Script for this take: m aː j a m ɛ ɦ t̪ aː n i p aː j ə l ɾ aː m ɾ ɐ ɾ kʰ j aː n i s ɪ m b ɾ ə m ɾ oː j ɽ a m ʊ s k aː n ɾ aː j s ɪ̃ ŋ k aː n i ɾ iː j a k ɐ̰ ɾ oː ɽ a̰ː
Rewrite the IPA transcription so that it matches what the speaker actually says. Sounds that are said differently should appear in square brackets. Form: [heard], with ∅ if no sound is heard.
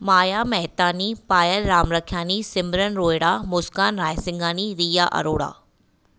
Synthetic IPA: m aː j a m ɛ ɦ t̪ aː n i p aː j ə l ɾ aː m ɾ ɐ [∅] kʰ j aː n i s ɪ m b ɾ ə [n] ɾ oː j ɽ a m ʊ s k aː n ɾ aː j s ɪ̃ ŋ [ɡ] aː n i ɾ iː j a [ʔ] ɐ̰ ɾ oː ɽ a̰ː